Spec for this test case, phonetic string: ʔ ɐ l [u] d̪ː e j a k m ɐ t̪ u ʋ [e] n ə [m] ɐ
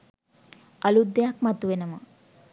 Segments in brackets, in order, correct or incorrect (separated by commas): correct, correct, correct